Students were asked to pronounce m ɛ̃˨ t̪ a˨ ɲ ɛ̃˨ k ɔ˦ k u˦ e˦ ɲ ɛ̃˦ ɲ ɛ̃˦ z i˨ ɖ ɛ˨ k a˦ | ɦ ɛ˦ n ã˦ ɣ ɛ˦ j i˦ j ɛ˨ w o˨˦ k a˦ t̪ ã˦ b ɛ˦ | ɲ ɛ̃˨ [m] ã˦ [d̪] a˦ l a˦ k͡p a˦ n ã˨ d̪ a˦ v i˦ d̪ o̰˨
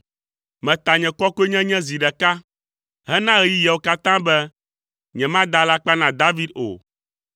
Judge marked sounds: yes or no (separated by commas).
yes, yes